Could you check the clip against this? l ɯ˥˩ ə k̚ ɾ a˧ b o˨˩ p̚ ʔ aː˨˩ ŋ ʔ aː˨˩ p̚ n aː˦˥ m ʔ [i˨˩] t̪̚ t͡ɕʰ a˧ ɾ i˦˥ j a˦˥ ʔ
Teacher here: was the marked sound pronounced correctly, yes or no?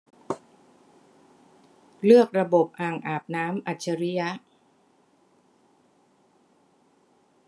no